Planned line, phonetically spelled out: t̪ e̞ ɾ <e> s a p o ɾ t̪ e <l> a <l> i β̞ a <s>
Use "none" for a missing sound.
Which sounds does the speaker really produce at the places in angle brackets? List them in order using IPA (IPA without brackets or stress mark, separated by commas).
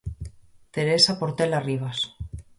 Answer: e, l, r, s